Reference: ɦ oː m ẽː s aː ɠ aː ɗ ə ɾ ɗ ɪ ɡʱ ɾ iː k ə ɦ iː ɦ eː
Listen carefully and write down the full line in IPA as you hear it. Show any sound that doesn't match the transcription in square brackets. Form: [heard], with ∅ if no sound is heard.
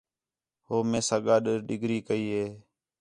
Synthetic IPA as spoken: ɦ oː m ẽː s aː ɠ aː ɗ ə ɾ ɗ ɪ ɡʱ ɾ iː k ə [∅] iː ɦ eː